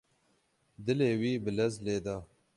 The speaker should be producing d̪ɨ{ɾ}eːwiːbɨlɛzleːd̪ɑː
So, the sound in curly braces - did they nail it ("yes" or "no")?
no